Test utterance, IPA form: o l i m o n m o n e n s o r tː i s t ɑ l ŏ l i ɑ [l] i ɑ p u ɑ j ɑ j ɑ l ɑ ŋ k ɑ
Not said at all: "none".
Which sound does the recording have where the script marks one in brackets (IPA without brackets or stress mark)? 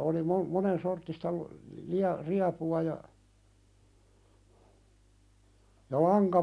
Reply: r